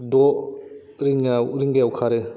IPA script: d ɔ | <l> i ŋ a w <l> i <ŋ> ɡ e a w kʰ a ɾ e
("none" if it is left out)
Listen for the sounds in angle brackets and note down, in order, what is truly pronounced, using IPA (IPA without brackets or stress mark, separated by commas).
ɾ, ɾ, ŋ